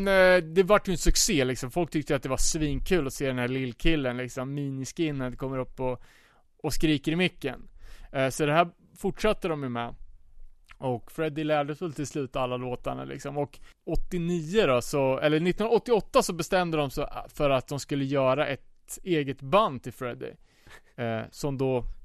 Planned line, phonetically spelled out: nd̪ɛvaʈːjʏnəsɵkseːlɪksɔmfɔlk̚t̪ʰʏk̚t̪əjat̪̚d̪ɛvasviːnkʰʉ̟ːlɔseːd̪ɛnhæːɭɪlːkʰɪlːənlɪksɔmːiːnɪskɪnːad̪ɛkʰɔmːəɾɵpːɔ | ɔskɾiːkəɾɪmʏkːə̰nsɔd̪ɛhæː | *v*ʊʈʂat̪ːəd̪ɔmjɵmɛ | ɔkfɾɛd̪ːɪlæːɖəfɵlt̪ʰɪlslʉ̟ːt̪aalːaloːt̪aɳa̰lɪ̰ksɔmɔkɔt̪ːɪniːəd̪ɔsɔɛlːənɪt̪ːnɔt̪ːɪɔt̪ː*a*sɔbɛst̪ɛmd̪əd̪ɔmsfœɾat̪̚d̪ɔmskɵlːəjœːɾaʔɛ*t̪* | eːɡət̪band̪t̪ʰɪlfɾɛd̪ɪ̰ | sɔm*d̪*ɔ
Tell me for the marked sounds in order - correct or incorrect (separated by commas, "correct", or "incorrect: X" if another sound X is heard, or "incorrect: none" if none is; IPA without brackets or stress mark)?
incorrect: f, correct, correct, correct